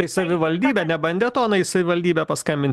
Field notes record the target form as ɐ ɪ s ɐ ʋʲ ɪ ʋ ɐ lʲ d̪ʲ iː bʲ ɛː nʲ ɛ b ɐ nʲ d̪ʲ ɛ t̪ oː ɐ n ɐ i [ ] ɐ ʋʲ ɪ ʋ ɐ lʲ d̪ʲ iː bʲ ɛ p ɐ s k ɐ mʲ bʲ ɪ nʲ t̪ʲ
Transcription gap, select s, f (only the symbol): s